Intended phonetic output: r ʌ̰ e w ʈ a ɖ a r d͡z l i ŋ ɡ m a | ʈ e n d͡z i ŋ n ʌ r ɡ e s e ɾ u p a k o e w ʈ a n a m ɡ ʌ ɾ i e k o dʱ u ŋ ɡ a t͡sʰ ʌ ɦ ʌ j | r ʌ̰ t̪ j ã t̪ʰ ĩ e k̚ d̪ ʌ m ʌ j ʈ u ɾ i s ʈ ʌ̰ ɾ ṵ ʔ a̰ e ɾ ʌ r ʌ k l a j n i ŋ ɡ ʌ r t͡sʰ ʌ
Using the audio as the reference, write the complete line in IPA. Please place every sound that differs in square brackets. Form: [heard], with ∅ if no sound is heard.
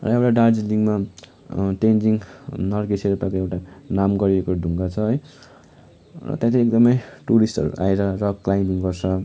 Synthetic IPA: r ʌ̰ e w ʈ a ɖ a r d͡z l i ŋ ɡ m a | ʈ e n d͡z i ŋ n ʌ r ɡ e s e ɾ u p a k o e w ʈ a n a m ɡ ʌ ɾ i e k o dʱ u ŋ ɡ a t͡sʰ ʌ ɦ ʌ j | r ʌ̰ t̪ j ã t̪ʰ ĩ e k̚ d̪ ʌ m ʌ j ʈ u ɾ i s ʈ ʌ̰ ɾ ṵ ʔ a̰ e ɾ ʌ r ʌ k l a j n i ŋ ɡ ʌ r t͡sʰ ʌ